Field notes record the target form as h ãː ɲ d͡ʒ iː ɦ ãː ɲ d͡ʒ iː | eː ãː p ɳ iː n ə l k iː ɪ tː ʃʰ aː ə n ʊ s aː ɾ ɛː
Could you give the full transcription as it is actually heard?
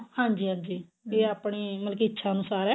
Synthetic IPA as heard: h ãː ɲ d͡ʒ iː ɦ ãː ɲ d͡ʒ iː | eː aː p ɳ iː m ə l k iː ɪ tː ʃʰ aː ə n ʊ s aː ɾ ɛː